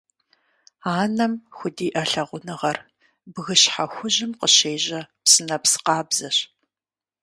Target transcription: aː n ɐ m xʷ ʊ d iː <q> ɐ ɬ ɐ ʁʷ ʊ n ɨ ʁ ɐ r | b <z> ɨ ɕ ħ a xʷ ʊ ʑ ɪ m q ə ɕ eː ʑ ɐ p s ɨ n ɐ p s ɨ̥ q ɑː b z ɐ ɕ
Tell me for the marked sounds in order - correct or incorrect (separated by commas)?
incorrect, incorrect